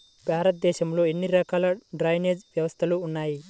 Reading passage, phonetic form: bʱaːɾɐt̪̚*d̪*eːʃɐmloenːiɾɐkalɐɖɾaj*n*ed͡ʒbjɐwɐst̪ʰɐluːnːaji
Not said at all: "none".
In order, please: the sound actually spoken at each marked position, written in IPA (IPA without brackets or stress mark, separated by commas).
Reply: d̪, n